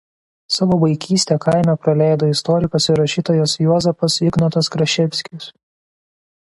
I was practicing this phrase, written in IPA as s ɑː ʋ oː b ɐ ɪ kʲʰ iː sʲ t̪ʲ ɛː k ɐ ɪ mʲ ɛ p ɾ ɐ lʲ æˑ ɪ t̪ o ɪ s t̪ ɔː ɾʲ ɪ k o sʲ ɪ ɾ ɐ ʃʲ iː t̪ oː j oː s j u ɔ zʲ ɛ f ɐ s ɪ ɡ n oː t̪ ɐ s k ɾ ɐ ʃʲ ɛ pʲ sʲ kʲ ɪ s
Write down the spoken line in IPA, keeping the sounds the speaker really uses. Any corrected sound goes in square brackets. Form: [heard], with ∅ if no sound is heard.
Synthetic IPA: s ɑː ʋ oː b ɐ ɪ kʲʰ iː sʲ t̪ʲ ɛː k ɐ ɪ mʲ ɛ p ɾ ɐ lʲ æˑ ɪ [d̪] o ɪ s t̪ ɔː ɾʲ ɪ k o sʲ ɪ ɾ ɐ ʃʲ iː t̪ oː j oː s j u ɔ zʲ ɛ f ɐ s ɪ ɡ n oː t̪ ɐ s k ɾ ɐ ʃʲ ɛ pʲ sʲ kʲ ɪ s

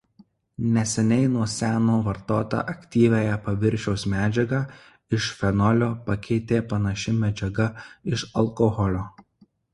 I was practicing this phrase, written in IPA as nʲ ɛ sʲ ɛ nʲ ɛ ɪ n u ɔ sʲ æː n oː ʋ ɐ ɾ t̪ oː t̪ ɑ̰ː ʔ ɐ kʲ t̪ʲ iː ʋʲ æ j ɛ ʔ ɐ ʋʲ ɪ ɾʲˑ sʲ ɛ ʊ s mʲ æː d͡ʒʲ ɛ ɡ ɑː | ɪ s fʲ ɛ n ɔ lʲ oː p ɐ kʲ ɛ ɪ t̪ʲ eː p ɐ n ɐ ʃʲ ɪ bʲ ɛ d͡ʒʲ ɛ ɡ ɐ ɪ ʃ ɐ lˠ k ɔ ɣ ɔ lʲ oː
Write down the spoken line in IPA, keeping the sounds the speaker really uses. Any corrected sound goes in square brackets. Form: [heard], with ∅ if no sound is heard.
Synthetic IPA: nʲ ɛ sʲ ɛ nʲ ɛ ɪ n u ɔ sʲ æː n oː ʋ ɐ ɾ t̪ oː t̪ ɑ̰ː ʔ ɐ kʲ t̪ʲ iː ʋʲ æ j ɛ [p] ɐ ʋʲ ɪ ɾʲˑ [ʃʲ] ɛ ʊ s mʲ æː d͡ʒʲ ɛ ɡ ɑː | ɪ [ʃ] fʲ ɛ n ɔ lʲ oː p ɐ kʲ ɛ ɪ t̪ʲ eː p ɐ n ɐ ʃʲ ɪ [mʲ] ɛ d͡ʒʲ ɛ ɡ ɐ ɪ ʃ ɐ lˠ k ɔ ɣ ɔ lʲ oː

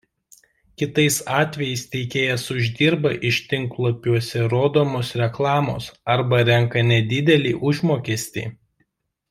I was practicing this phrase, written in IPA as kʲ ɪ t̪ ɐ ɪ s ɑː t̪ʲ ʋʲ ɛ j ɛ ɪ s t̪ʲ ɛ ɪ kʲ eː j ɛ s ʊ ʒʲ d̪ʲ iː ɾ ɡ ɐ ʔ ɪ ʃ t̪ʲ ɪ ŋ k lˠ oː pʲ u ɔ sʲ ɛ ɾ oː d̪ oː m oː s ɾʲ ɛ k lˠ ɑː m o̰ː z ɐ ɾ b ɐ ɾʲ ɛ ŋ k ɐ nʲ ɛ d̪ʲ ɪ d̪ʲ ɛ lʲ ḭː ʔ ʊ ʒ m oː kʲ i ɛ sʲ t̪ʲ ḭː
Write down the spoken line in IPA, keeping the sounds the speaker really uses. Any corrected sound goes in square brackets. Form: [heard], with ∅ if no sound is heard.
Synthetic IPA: kʲ ɪ t̪ ɐ ɪ s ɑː t̪ʲ ʋʲ ɛ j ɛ ɪ s t̪ʲ ɛ ɪ kʲ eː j ɛ s ʊ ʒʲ d̪ʲ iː ɾ [b] ɐ ʔ ɪ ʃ t̪ʲ ɪ ŋ k lˠ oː pʲ u ɔ sʲ ɛ ɾ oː d̪ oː m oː s ɾʲ ɛ k lˠ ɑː m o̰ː [s] ɐ ɾ b ɐ ɾʲ ɛ ŋ k ɐ nʲ ɛ d̪ʲ ɪ d̪ʲ ɛ lʲ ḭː ʔ ʊ ʒ m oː kʲ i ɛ sʲ t̪ʲ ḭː

